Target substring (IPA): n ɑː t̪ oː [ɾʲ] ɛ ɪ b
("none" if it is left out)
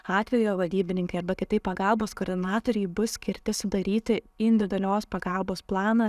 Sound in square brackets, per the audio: ɾʲ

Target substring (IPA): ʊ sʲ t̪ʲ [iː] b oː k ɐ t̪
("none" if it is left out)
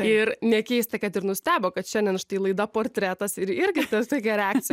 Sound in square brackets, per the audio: æː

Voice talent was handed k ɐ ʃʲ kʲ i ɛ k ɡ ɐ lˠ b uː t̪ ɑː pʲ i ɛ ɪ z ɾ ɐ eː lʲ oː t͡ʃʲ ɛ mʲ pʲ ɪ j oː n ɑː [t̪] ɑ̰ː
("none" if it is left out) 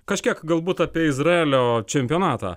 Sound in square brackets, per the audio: t̪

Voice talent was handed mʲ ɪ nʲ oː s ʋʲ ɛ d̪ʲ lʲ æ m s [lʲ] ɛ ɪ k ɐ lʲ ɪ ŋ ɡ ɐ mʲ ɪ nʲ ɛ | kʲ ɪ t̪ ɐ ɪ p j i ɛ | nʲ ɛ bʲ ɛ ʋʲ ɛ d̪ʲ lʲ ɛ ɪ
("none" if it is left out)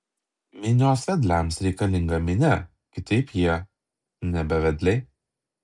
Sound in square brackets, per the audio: ɾʲ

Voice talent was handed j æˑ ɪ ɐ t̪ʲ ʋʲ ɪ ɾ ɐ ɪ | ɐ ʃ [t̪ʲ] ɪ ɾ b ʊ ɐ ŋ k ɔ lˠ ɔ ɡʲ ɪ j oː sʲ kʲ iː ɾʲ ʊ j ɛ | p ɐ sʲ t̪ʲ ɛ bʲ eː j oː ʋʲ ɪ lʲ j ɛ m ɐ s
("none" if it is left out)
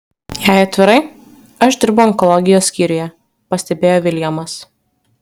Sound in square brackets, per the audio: d̪ʲ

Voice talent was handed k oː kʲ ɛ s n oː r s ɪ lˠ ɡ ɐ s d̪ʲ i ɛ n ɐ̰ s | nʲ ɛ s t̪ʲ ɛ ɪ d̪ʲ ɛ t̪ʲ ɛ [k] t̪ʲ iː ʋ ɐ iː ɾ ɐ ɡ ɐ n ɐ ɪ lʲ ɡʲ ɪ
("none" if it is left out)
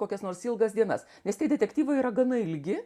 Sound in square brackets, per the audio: k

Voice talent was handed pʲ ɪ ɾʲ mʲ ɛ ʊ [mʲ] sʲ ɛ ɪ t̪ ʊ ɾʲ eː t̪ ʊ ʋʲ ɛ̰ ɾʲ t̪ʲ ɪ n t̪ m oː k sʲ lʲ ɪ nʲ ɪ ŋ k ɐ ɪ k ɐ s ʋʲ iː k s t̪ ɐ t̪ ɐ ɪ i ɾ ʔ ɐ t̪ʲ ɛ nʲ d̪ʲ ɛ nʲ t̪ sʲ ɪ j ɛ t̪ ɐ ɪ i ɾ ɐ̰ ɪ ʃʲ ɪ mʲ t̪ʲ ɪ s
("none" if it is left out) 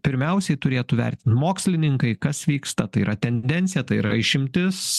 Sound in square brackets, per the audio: none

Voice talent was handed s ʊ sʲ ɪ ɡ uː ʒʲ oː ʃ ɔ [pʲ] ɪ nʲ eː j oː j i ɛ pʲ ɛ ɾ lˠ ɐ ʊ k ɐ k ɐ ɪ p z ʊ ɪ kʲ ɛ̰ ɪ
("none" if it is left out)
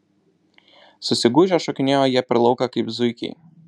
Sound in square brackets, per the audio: kʲ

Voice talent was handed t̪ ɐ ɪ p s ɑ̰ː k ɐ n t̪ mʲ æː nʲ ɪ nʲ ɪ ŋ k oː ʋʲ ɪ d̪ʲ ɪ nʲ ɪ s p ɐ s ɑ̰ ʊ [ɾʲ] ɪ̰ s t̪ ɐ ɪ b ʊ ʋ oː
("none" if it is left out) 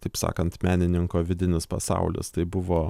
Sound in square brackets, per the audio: lʲ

